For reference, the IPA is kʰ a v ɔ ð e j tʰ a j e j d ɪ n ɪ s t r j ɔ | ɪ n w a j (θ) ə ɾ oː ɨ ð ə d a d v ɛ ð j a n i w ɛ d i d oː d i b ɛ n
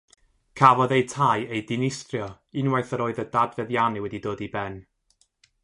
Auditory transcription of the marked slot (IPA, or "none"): θ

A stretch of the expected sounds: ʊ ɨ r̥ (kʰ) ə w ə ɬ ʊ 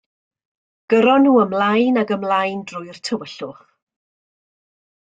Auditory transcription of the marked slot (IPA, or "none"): tʰ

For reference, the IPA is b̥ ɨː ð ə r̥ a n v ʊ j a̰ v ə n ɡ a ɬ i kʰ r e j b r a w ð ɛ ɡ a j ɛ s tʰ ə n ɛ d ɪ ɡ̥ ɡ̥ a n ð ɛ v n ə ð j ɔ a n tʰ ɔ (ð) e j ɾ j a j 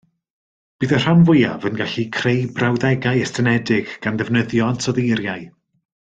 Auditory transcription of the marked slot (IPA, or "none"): ð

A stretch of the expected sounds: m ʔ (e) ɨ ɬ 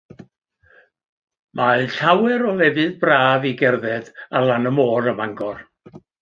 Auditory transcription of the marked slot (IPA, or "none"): a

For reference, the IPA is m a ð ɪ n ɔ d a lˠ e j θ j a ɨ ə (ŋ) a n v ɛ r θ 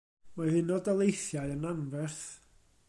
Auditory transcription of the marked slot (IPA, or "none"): n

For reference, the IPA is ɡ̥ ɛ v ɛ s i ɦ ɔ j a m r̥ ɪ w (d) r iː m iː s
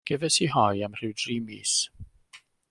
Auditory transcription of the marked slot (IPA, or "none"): d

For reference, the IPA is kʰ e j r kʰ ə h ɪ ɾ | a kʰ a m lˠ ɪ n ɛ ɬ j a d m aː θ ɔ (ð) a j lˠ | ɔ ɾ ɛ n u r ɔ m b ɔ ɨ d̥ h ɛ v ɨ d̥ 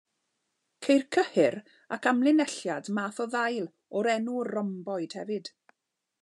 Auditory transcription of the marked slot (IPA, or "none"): ð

